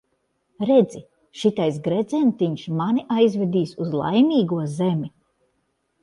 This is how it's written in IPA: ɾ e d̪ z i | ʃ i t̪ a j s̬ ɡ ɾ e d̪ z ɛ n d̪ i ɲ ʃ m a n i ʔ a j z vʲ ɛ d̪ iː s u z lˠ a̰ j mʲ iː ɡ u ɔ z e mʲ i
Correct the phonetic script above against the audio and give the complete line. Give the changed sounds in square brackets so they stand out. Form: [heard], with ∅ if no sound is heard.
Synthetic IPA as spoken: ɾ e d̪ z i | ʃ i t̪ a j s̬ ɡ ɾ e d̪ z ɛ n [t̪] i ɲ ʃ m a n i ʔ a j z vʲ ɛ d̪ iː s u z lˠ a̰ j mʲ iː ɡ u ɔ z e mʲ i

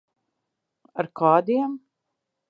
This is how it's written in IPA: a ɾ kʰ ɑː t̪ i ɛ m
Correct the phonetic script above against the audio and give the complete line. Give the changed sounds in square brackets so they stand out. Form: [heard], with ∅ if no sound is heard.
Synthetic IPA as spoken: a ɾ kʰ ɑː [d̪] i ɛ m

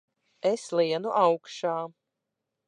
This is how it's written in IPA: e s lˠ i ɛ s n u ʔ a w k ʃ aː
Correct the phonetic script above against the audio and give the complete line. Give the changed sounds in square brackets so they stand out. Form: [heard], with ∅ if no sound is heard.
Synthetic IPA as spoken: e s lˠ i ɛ [∅] n u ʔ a w k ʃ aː

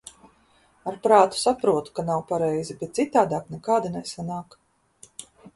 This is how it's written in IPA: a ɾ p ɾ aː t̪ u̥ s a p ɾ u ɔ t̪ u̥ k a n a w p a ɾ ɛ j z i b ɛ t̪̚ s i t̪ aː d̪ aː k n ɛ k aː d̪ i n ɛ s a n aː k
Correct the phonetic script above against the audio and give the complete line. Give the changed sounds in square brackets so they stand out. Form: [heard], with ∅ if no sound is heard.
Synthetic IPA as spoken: a ɾ p ɾ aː t̪ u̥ s a p ɾ u ɔ t̪ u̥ k a n a w p a ɾ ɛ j z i b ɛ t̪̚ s i t̪ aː d̪ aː k n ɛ k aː d̪ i n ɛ s a n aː k

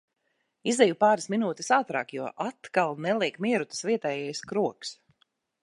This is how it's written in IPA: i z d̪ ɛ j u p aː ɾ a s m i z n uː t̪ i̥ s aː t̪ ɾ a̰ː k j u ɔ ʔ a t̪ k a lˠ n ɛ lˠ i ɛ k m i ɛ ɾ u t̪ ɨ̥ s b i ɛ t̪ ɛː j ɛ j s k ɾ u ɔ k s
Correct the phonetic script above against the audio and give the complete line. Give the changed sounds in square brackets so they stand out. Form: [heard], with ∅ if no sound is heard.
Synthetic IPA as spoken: i z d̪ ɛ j u p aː ɾ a s m i [∅] n uː t̪ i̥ s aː t̪ ɾ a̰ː k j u ɔ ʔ a t̪ k a lˠ n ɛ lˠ i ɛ k m i ɛ ɾ u t̪ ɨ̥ s [v] i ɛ t̪ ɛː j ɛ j s k ɾ u ɔ k s

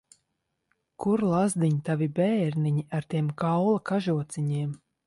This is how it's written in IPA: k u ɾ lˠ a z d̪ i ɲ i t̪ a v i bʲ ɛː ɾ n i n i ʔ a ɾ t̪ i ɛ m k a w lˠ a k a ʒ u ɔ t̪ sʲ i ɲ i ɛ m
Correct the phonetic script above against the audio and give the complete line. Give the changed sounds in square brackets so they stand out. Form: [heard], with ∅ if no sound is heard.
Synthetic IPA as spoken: k u ɾ lˠ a z d̪ i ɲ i t̪ a v i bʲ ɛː ɾ n i [ɲ] i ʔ a ɾ t̪ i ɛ m k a w lˠ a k a ʒ u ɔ t̪ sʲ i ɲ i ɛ m

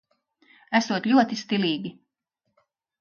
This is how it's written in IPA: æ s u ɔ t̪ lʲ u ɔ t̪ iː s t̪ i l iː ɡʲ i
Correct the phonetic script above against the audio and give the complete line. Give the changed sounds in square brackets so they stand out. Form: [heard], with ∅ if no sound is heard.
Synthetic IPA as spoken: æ s u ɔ t̪ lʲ u ɔ t̪ [i] s t̪ i l iː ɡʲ i

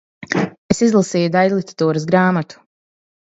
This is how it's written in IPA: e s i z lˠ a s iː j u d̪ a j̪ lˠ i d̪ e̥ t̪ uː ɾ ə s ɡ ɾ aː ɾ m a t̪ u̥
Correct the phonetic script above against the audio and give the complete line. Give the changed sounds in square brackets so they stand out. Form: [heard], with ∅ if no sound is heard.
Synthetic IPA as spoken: e s i z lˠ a s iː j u d̪ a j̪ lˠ i [t̪] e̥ t̪ uː ɾ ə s ɡ ɾ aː [∅] m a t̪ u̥

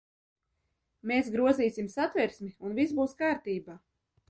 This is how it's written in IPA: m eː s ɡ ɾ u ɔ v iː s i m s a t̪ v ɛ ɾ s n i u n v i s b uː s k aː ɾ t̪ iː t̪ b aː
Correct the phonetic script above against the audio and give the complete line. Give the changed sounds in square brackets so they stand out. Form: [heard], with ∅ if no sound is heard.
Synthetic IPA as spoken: m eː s ɡ ɾ u ɔ [z] iː s i m s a t̪ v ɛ ɾ s [m] i u n v i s b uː s k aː ɾ t̪ iː [∅] b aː

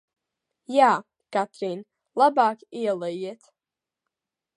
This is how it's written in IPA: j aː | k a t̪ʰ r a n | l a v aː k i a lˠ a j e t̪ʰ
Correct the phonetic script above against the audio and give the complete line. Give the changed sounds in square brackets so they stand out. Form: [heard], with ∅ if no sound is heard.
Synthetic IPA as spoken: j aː | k a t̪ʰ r [i] n | l a [b] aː k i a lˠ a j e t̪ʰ

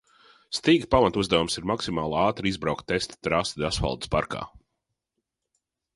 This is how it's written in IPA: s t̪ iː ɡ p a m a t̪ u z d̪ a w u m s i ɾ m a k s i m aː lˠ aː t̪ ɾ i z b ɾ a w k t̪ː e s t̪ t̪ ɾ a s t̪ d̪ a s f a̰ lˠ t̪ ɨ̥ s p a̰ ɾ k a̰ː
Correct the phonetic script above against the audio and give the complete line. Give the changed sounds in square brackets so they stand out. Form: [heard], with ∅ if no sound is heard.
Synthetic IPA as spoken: s t̪ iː ɡ p a m a t̪ u z d̪ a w u m s i ɾ m a k s i m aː lˠ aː t̪ ɾ i z b ɾ a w k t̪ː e s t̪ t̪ ɾ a s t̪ d̪ a s f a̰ lˠ [d̪] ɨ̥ s p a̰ ɾ k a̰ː

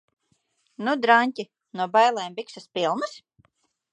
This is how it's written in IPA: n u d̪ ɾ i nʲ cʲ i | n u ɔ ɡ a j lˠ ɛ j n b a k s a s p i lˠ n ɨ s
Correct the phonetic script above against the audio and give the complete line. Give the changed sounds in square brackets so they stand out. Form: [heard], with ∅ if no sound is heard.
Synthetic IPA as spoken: n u d̪ ɾ [a] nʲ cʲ i | n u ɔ [b] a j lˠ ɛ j [m] b [i] k s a s p i lˠ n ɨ s

